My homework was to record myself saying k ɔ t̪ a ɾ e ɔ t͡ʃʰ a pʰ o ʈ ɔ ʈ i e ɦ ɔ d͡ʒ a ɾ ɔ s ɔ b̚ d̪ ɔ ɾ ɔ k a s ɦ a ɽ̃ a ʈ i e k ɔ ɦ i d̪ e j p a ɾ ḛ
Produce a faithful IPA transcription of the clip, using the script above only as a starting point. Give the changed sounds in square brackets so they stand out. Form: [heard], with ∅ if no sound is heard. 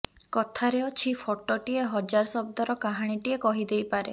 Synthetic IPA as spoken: k ɔ [t̪ʰ] a ɾ e ɔ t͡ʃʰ [i] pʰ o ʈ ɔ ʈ i e ɦ ɔ d͡ʒ a ɾ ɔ s ɔ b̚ d̪ ɔ ɾ ɔ k a [∅] ɦ a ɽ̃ [i] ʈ i e k ɔ ɦ i d̪ e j p a ɾ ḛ